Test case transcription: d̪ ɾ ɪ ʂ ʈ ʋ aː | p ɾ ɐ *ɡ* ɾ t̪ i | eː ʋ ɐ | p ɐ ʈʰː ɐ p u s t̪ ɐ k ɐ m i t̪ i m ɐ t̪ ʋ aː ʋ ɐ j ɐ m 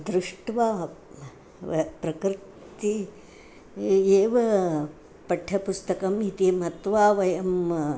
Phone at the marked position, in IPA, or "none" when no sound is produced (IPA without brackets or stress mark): k